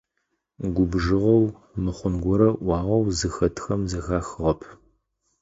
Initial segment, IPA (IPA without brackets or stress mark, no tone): ɡʷ